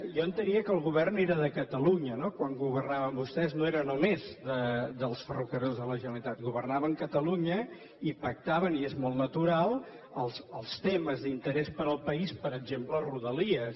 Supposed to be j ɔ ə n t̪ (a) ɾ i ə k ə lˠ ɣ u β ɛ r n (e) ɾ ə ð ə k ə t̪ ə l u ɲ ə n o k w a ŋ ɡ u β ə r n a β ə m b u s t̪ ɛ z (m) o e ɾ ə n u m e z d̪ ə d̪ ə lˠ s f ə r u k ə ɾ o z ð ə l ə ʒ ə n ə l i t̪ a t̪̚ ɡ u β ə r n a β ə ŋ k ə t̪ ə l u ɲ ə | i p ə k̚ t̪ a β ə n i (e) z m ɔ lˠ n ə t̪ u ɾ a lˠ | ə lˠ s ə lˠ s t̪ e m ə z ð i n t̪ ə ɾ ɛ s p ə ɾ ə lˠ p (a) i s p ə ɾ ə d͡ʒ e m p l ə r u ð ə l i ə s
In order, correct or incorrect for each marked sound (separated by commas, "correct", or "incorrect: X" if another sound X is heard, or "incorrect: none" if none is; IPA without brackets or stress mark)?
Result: incorrect: ə, correct, incorrect: n, correct, incorrect: ə